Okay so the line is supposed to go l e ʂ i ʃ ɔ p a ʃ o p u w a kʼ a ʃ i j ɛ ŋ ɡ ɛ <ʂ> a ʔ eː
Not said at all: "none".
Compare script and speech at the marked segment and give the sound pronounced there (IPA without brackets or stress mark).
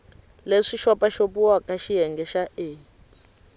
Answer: ʃ